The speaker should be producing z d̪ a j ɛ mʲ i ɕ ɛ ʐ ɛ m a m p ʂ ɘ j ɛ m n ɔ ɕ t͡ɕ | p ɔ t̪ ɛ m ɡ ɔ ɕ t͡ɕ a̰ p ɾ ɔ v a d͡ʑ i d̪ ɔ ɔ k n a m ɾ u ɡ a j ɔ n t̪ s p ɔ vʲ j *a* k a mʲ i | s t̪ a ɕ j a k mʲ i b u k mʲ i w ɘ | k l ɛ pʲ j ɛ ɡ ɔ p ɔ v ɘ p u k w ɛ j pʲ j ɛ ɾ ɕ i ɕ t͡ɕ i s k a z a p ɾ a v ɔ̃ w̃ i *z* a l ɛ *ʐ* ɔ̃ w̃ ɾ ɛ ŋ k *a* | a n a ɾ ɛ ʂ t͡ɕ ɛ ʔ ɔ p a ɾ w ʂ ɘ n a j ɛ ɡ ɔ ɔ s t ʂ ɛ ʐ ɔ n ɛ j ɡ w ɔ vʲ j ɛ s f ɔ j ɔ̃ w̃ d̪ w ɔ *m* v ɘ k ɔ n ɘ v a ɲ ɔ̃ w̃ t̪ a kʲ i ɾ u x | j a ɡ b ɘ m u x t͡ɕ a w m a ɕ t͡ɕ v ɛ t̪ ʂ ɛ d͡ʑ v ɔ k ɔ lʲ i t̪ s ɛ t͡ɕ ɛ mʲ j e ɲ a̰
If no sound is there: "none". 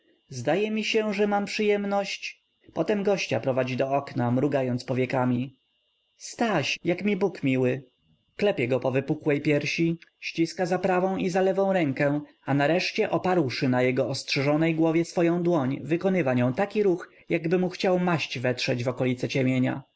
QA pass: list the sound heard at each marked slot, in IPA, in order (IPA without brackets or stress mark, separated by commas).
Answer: ɛ, z, v, ɛ, ɲ